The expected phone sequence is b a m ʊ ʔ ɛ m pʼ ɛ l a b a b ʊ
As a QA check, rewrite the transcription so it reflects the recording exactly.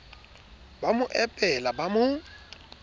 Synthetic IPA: b a m ʊ ʔ ɛ pʼ ɛ l a b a m ʊ